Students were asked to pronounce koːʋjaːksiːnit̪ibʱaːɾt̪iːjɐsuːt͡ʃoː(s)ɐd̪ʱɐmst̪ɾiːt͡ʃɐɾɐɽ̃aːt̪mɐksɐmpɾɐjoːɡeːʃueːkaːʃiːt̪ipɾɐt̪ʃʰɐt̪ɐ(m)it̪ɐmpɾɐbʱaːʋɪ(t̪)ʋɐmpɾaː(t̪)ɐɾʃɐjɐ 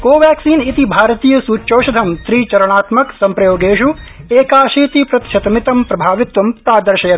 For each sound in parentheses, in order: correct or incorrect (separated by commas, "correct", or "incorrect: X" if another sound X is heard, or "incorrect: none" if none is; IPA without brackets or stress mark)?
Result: incorrect: ʃ, correct, correct, incorrect: d̪